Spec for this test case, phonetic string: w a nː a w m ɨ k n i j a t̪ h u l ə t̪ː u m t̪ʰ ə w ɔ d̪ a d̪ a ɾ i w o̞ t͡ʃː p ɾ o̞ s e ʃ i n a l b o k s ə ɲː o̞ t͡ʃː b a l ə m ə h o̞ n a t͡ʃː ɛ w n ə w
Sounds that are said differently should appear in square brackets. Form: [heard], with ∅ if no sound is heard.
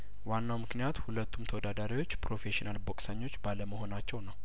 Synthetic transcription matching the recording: w a nː a w m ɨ k n i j a t̪ h u l ə t̪ː u m t̪ʰ ə w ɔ d̪ a d̪ a ɾ i w o̞ t͡ʃː p ɾ o̞ [f] e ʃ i n a l b o [kʼ] s ə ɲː o̞ t͡ʃː b a l ə m ə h o̞ n a t͡ʃː ɛ w n ə w